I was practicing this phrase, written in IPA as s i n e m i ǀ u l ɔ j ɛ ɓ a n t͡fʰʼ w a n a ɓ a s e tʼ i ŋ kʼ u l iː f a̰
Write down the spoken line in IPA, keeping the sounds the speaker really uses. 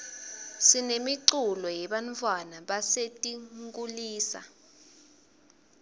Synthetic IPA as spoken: s i n e m i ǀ u l ɔ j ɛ ɓ a n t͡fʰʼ w a n a ɓ a s e tʼ i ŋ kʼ u l iː s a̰

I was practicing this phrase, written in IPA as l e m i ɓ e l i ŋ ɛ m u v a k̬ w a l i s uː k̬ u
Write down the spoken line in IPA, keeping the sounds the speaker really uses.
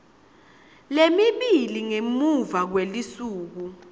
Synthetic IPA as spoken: l e m i ɓ i l i ŋ e m u v a k̬ w e l i s uː k̬ u

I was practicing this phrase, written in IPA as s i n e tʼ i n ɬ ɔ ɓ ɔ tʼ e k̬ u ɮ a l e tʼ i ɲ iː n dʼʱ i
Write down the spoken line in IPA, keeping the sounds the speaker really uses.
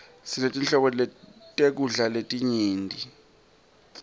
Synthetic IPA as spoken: s i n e tʼ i n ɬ ɔ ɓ ɔ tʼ e k̬ u ɮ a l e tʼ i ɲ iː n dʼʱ i

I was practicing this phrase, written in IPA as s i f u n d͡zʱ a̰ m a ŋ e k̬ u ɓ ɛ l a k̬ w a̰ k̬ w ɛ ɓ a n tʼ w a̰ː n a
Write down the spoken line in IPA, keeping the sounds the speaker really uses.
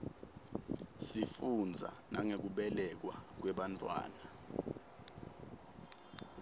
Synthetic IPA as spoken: s i f u n d͡zʱ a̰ n a ŋ e k̬ u ɓ ɛ l ɛ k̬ w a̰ k̬ w ɛ ɓ a n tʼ w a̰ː n a

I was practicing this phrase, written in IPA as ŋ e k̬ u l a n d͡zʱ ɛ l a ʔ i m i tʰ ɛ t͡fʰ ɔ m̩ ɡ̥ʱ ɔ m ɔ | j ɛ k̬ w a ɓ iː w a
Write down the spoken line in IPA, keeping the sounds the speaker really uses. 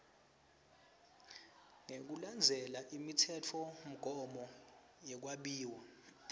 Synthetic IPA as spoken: ŋ e k̬ u l a n d͡zʱ ɛ l a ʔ i m i tʰ ɛ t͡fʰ ɔ m̩ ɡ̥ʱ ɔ m ɔ | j ɛ k̬ w a ɓ iː w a

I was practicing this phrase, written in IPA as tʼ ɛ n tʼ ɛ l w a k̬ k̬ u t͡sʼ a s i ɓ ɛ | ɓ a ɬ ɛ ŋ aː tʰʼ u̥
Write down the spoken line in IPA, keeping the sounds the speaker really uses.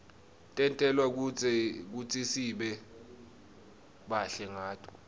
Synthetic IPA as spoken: tʼ ɛ n tʼ ɛ l w a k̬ k̬ u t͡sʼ i s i ɓ ɛ | ɓ a ɬ ɛ ŋ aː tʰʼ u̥

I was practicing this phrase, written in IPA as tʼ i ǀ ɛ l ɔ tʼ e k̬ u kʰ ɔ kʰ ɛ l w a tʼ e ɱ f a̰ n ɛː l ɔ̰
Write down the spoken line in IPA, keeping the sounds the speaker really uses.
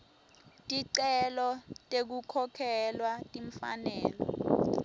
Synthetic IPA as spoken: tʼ i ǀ ɛ l ɔ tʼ e k̬ u kʰ ɔ kʰ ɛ l w a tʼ i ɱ f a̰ n ɛː l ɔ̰

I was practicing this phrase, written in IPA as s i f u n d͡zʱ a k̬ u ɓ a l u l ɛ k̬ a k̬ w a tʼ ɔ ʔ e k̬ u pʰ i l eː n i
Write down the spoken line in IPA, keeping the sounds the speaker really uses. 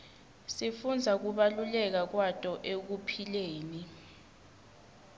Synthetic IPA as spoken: s i f u n d͡zʱ a k̬ u ɓ a l u l ɛ k̬ a k̬ w a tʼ ɔ ʔ e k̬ u pʰ i l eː n i

